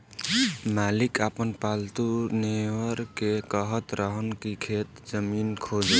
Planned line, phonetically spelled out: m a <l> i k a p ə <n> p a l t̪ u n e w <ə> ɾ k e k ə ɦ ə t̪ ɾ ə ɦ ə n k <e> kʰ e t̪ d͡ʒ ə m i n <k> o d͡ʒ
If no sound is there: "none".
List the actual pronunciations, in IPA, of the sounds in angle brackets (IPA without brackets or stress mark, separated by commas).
l, n, ə, i, kʰ